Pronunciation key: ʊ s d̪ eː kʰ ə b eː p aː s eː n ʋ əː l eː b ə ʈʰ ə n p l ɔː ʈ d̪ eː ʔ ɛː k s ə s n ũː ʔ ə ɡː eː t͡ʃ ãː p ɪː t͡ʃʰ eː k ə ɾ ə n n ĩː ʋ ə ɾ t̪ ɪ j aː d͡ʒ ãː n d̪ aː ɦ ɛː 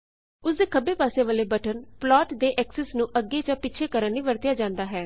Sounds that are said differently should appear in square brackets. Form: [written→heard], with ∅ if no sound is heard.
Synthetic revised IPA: ʊ s d̪ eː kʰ ə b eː p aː s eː [n→∅] ʋ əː l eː b ə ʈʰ ə n p l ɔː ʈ d̪ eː ʔ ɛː k s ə s n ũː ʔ ə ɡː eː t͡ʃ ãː p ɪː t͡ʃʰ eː k ə ɾ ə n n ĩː ʋ ə ɾ t̪ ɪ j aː d͡ʒ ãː n d̪ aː ɦ ɛː